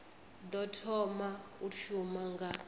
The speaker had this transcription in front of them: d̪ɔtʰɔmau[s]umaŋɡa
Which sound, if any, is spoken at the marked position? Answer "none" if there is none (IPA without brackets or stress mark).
ʃ